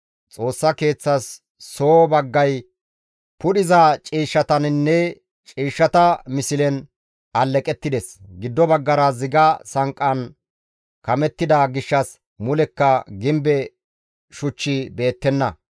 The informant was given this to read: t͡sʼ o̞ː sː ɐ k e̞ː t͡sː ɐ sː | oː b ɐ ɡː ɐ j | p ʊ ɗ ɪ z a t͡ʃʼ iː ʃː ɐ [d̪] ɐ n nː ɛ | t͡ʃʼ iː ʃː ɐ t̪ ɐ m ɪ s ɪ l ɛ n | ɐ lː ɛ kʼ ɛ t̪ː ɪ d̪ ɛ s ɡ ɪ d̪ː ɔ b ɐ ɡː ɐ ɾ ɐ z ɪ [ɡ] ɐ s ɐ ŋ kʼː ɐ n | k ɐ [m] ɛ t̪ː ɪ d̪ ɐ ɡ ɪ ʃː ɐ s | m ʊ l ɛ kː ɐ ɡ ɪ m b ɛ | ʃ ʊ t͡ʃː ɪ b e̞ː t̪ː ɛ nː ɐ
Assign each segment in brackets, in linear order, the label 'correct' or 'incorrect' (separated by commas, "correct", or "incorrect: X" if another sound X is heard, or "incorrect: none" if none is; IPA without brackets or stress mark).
incorrect: t̪, correct, correct